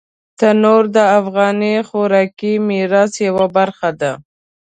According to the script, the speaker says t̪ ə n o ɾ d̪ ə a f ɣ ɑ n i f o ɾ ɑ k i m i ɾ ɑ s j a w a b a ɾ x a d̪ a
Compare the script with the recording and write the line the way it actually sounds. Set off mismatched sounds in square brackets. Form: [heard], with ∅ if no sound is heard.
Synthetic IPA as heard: t̪ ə n o ɾ d̪ ə a f ɣ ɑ n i [x] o ɾ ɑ k i m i ɾ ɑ s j a w a b a ɾ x a d̪ a